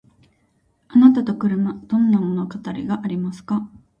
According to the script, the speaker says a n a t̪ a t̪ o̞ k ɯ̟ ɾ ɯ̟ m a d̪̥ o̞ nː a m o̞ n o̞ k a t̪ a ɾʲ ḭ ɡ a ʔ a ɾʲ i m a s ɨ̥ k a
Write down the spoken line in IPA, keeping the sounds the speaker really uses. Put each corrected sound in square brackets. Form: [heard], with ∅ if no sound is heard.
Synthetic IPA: a n a t̪ a t̪ o̞ k ɯ̟ ɾ ɯ̟ m a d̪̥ [õ̞] nː a m o̞ n o̞ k a t̪ a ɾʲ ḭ ɡ a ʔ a ɾʲ i m a s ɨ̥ k a